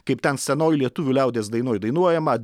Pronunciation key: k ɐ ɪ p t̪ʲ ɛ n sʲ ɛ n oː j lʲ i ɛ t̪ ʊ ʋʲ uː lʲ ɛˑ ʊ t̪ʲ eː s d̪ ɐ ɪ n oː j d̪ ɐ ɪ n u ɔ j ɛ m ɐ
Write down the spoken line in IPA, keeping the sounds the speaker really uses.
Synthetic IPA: k ɐ ɪ p t̪ʲ ɛ n sʲ ɛ n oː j lʲ i ɛ t̪ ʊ ʋʲ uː lʲ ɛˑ ʊ d̪ʲ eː s d̪ ɐ ɪ n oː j d̪ ɐ ɪ n u ɔ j ɛ m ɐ

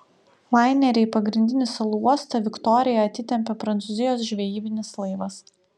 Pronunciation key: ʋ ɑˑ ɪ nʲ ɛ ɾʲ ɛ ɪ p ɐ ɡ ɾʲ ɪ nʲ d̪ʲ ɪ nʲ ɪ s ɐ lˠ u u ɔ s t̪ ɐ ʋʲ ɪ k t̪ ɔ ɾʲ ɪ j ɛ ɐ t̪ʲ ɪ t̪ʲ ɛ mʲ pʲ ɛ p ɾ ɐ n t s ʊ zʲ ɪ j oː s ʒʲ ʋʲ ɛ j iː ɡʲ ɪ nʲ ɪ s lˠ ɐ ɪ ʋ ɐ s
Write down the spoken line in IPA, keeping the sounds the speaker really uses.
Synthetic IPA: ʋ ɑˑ ɪ nʲ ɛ ɾʲ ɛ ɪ p ɐ ɡ ɾʲ ɪ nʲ d̪ʲ ɪ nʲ ɪ s ɐ lˠ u u ɔ s t̪ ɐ ʋʲ ɪ k t̪ ɔ ɾʲ ɪ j ɛ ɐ t̪ʲ ɪ t̪ʲ ɛ mʲ pʲ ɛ p ɾ ɐ n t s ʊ zʲ ɪ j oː s ʒʲ ʋʲ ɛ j iː bʲ ɪ nʲ ɪ s lˠ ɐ ɪ ʋ ɐ s

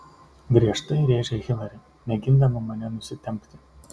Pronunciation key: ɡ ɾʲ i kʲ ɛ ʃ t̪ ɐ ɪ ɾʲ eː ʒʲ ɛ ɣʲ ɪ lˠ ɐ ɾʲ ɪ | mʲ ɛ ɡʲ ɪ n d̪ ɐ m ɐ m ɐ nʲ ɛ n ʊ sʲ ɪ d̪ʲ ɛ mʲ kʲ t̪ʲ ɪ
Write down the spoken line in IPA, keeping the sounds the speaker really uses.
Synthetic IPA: ɡ ɾʲ i ɛ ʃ t̪ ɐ ɪ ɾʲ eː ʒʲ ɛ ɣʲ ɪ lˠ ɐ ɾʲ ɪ | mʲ ɛ ɡʲ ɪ n d̪ ɐ m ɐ m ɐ nʲ ɛ n ʊ sʲ ɪ t̪ʲ ɛ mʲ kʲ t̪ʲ ɪ

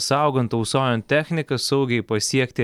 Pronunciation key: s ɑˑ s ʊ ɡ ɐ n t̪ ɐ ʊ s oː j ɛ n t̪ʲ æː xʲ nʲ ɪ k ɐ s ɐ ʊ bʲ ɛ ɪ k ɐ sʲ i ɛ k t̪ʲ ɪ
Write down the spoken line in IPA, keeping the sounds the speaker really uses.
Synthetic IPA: s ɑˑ ʊ ɡ ɐ n t̪ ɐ ʊ s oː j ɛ n t̪ʲ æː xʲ nʲ ɪ k ɐ s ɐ ʊ ɡʲ ɛ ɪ p ɐ sʲ i ɛ k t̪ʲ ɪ

